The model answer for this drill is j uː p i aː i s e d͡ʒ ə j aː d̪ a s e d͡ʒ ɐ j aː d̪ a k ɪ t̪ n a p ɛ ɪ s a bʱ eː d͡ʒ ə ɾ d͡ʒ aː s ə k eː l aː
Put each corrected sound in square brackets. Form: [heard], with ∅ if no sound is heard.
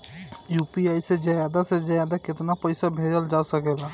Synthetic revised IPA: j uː p i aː i s e d͡ʒ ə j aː d̪ a s e d͡ʒ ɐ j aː d̪ a k ɪ t̪ n a p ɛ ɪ s a bʱ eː d͡ʒ ə [l] d͡ʒ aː s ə k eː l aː